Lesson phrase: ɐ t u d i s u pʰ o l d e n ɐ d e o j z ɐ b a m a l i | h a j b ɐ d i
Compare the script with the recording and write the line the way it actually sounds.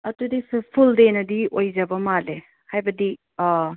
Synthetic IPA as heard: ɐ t u d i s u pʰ u l d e n ɐ d i o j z ɐ b ɐ m a l e | h a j b ɐ d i